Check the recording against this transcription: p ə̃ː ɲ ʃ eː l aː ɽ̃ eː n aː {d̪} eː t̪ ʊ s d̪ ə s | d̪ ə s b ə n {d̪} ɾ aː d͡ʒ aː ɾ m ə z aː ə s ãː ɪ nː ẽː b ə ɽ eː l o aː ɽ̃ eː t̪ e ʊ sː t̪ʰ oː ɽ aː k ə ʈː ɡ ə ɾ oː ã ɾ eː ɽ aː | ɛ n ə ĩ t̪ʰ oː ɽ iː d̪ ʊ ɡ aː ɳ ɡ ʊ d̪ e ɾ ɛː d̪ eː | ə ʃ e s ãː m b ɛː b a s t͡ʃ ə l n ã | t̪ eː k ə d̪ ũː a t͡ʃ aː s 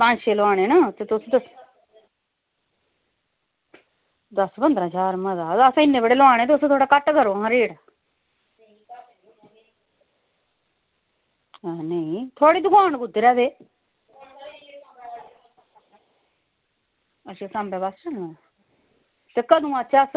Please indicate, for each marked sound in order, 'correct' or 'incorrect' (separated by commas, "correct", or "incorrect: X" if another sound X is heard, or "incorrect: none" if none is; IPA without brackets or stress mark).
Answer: incorrect: t̪, correct